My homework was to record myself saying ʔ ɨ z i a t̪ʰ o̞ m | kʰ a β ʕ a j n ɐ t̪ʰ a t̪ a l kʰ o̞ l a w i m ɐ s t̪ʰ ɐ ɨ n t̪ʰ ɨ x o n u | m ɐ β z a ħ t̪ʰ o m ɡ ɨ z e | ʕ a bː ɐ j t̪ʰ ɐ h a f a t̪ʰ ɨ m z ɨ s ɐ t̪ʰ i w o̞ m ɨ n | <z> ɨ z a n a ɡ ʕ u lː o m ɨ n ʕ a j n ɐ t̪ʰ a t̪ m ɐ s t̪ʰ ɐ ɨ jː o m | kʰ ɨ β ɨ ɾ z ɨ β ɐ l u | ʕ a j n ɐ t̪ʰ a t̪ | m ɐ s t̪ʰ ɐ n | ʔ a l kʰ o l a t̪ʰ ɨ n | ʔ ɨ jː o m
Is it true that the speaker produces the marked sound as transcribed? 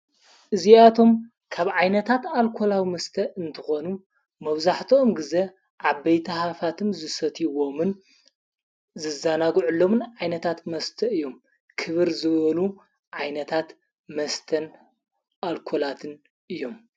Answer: yes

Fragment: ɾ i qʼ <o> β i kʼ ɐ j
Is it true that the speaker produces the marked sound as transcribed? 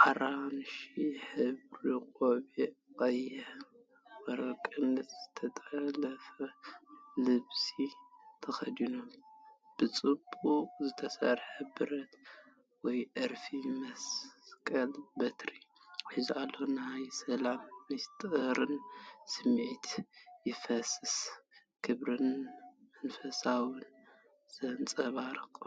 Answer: yes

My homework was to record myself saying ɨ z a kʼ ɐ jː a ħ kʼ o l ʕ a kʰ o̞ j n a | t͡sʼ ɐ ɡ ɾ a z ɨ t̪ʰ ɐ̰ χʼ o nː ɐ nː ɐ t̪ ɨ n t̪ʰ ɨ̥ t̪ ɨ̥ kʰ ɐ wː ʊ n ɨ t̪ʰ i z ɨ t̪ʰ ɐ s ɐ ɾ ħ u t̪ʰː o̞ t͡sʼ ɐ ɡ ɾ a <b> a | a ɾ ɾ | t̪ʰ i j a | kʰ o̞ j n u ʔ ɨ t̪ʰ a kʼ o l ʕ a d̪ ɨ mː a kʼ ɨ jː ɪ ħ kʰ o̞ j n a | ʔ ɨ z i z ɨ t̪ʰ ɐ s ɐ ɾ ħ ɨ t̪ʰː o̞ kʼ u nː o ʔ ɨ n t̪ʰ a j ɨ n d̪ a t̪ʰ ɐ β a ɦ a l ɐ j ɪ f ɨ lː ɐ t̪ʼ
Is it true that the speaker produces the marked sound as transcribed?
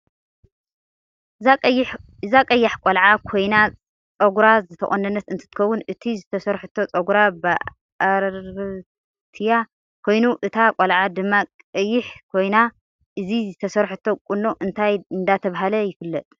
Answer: yes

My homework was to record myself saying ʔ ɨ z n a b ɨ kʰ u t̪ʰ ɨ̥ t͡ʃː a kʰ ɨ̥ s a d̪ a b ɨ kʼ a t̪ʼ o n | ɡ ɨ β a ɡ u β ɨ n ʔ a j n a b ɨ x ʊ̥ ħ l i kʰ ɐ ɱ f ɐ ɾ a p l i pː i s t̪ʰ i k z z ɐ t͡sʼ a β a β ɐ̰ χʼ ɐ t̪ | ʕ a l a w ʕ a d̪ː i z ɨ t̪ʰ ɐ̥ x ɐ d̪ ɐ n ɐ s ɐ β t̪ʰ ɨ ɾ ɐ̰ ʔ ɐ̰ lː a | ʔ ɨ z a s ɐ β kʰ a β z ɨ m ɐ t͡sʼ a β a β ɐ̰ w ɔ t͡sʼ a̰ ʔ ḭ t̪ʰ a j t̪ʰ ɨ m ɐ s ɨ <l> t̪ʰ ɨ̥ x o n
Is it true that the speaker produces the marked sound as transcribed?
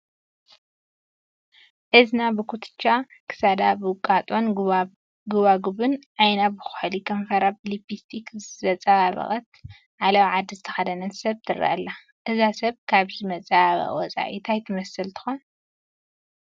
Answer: yes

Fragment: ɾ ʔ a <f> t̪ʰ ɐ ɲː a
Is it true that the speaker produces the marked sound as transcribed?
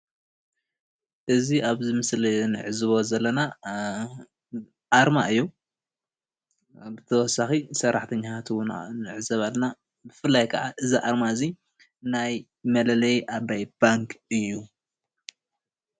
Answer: no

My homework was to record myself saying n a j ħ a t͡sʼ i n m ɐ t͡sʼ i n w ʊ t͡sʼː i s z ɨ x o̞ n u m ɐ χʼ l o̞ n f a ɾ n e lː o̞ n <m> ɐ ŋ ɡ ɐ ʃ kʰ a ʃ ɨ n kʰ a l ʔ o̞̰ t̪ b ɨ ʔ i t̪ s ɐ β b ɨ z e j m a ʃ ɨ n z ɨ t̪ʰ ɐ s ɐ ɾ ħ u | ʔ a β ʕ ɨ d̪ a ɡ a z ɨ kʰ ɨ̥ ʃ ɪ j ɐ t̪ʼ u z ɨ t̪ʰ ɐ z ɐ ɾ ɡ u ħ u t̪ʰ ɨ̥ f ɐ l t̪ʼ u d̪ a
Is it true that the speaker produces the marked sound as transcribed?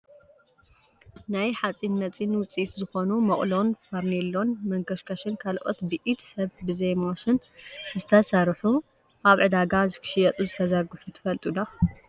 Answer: yes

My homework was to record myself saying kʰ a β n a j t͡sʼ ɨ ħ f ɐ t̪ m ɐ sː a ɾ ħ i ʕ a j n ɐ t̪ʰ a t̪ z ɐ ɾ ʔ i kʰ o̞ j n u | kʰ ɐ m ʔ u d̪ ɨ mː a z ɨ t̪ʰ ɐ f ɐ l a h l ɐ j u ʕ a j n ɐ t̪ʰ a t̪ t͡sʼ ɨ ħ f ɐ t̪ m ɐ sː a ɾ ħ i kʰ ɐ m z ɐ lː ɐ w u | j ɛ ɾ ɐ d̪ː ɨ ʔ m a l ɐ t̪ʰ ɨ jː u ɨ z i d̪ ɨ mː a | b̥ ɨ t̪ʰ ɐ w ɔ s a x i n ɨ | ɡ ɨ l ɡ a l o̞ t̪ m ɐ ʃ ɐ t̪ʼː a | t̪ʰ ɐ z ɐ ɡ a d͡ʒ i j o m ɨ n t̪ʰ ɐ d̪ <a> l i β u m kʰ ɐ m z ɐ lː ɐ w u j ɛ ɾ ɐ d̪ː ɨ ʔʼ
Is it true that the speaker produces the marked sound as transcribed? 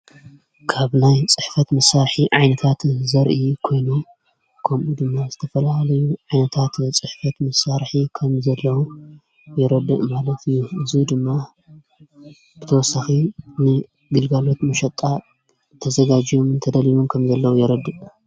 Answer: no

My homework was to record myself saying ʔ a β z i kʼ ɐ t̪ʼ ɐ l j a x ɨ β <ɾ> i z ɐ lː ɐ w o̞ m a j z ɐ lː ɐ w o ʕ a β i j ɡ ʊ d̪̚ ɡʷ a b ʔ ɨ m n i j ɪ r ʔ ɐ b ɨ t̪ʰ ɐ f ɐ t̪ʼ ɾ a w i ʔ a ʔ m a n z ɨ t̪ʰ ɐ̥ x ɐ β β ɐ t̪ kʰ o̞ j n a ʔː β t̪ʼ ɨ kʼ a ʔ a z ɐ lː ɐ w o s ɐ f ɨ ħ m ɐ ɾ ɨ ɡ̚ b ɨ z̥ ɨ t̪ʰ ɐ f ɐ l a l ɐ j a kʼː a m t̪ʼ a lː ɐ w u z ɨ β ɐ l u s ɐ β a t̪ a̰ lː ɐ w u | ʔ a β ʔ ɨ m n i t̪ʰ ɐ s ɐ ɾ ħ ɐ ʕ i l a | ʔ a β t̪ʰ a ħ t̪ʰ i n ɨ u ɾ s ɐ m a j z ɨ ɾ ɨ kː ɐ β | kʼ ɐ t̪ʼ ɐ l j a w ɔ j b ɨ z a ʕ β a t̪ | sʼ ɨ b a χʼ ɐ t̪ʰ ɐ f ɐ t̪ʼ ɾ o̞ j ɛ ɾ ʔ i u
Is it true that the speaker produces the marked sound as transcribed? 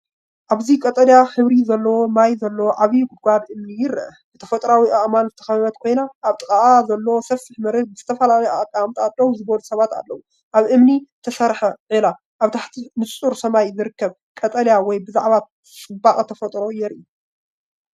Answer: yes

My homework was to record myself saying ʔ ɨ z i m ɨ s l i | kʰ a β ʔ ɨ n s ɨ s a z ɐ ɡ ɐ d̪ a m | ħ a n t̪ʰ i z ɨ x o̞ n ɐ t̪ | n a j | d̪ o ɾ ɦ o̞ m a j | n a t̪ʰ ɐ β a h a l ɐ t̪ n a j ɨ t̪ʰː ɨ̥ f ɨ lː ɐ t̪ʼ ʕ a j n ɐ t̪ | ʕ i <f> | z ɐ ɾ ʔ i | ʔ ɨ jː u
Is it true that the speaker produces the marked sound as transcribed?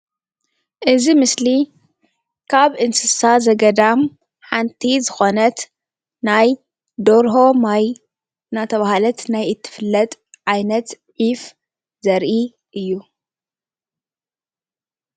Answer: yes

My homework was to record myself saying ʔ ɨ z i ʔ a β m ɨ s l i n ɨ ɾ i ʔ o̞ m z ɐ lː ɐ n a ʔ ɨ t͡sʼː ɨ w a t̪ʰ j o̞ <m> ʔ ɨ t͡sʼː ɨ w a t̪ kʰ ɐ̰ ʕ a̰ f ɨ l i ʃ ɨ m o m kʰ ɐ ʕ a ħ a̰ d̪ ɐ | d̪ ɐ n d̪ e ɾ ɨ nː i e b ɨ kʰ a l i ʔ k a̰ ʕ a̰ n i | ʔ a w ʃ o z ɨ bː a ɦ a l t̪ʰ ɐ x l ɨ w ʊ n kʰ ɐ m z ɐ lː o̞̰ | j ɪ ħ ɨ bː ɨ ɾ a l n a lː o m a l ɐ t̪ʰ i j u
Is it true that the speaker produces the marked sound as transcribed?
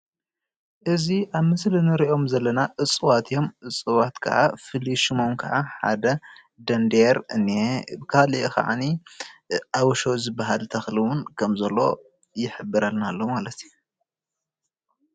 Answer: yes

